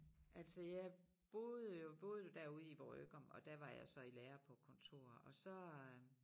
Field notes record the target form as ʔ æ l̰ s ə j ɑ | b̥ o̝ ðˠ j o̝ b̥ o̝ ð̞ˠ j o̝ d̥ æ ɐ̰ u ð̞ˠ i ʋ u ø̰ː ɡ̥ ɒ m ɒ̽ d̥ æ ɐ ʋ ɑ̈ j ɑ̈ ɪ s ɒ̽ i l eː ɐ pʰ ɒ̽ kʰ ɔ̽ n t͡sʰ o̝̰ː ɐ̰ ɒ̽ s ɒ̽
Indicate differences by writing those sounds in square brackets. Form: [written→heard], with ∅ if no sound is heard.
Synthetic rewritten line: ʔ æ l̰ s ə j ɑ | b̥ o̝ ðˠ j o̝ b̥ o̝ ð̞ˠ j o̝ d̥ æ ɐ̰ u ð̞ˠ i ʋ [u→ɒ] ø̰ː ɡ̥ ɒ m ɒ̽ d̥ æ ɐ ʋ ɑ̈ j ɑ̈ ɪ s ɒ̽ i l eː ɐ pʰ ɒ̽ kʰ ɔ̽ n t͡sʰ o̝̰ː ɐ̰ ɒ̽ s ɒ̽